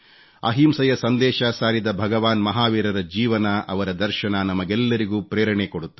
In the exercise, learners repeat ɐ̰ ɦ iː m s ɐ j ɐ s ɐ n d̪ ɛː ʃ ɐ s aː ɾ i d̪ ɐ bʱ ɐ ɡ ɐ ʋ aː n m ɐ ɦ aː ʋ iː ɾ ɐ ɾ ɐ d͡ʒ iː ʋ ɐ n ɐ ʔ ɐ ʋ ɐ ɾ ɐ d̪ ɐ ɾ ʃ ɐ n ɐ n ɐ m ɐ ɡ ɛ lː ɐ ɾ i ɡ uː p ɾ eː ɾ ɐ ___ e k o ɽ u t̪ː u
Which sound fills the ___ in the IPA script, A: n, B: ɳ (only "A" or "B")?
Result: B